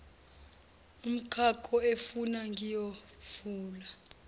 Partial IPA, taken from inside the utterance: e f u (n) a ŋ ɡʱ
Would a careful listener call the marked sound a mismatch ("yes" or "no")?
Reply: no